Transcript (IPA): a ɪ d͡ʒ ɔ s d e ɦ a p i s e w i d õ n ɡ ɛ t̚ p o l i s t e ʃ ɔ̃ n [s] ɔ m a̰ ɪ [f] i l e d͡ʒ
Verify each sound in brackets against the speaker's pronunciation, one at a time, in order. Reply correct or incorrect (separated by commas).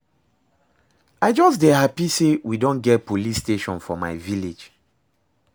incorrect, incorrect